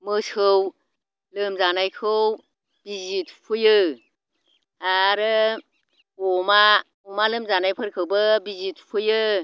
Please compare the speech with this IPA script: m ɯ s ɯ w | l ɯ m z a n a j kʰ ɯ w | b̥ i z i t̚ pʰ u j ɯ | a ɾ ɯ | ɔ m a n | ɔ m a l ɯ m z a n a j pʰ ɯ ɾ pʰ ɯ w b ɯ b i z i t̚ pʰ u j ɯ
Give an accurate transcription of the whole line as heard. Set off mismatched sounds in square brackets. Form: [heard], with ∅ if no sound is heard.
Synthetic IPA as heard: m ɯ s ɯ w | l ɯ m z a n a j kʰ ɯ w | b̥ i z i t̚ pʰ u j ɯ | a ɾ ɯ | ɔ m a [∅] | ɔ m a l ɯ m z a n a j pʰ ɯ ɾ [kʰ] ɯ w b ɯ b i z i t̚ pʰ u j ɯ